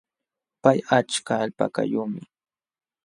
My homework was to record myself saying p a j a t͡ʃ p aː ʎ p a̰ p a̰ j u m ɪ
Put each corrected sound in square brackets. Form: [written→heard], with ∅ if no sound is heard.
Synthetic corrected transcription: p a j a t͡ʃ [p→k] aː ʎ p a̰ [p→k] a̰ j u m ɪ

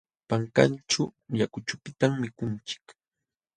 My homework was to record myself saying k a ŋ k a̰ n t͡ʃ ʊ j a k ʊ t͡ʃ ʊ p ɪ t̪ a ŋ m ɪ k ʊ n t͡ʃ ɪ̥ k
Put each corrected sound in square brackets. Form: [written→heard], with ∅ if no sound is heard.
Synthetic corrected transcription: [k→p] a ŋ k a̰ n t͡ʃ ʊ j a k ʊ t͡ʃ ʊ p ɪ t̪ a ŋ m ɪ k ʊ n t͡ʃ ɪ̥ k

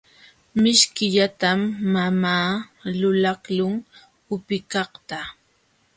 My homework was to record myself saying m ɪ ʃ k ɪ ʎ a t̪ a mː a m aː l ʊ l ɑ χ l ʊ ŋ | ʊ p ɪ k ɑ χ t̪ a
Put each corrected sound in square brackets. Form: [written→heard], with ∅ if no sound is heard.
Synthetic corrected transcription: m ɪ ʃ k ɪ ʎ a t̪ a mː a m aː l ʊ l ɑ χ l ʊ ŋ | ʊ p ɪ k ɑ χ t̪ a

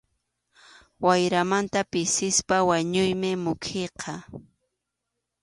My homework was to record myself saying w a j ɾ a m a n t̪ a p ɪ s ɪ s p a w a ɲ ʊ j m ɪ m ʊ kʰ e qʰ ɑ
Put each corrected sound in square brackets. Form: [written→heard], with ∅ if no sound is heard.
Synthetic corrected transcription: w a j ɾ a m a n t̪ a p ɪ s ɪ s p a w a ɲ ʊ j m ɪ m ʊ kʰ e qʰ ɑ

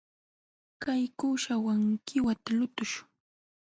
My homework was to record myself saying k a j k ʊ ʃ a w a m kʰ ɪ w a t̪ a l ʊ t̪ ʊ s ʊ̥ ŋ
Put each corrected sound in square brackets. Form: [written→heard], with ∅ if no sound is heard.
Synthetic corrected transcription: k a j k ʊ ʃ a w a [m→ŋ] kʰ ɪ w a t̪ a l ʊ t̪ ʊ [s→ʃ] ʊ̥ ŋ

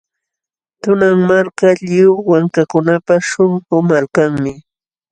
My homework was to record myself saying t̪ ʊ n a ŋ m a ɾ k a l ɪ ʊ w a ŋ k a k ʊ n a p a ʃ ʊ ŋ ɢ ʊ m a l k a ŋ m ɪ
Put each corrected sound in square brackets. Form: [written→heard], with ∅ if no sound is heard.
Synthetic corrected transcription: t̪ ʊ n a ŋ m a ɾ k a [l→ʎ] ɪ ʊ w a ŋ k a k ʊ n a p a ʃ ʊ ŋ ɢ ʊ m a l k a ŋ m ɪ

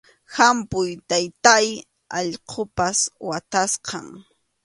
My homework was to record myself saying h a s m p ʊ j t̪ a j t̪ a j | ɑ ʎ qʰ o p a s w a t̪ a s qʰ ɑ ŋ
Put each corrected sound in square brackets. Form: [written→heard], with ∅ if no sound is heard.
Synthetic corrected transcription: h a [s→∅] m p ʊ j t̪ a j t̪ a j | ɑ ʎ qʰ o p a s w a t̪ a s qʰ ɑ ŋ

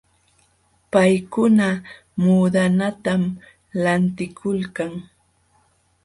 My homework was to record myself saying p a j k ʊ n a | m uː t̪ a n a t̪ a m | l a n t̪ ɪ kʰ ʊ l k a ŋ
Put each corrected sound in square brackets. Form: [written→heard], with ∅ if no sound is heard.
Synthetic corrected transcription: p a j k ʊ n a | m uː [t̪→d̪] a n a t̪ a m | l a n t̪ ɪ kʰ ʊ l k a ŋ

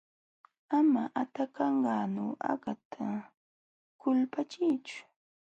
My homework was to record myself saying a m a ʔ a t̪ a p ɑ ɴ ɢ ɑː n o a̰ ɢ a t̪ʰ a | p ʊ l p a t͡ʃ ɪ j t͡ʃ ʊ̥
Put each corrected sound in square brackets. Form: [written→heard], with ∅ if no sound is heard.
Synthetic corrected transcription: a m a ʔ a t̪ a [p→k] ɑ ɴ ɢ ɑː n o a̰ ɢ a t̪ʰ a | [p→k] ʊ l p a t͡ʃ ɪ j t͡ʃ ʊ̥

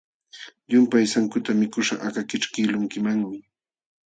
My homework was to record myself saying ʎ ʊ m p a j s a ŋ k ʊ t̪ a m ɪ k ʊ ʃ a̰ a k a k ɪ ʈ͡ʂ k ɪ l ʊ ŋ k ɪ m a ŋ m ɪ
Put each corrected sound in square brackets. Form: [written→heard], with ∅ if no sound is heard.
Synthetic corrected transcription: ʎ ʊ m p a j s a ŋ k ʊ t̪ a m ɪ k ʊ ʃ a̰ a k a k ɪ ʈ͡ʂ k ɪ l ʊ ŋ k ɪ m a ŋ m ɪ

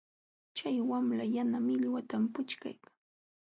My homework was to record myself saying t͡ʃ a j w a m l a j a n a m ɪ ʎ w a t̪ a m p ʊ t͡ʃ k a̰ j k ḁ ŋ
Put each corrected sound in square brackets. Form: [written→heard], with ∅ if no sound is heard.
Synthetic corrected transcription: t͡ʃ a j w a m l a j a n a m ɪ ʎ w a t̪ a m p ʊ t͡ʃ k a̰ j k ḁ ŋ

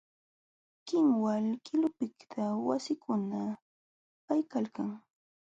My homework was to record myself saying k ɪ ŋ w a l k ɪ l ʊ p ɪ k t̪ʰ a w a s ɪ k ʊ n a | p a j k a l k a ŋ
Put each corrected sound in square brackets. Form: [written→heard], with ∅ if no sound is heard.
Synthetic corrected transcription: k ɪ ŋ w a l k ɪ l ʊ p ɪ k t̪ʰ a w a s ɪ k ʊ n a | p a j k a l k a ŋ

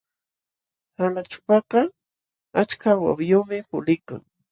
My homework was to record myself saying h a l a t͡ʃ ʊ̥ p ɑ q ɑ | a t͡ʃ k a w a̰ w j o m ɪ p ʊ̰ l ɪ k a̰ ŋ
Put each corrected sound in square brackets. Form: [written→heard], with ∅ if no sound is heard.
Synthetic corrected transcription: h a l a t͡ʃ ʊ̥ p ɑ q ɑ | a t͡ʃ k a w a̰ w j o m ɪ p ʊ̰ l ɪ k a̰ ŋ

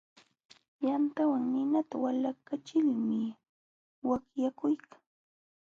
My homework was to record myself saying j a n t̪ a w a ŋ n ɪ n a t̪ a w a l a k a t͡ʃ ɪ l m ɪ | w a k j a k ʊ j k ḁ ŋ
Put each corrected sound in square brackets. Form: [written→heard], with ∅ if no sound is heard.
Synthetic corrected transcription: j a n t̪ a w a ŋ n ɪ n a t̪ a w a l a k a t͡ʃ ɪ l m ɪ | w a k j a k ʊ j k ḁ ŋ

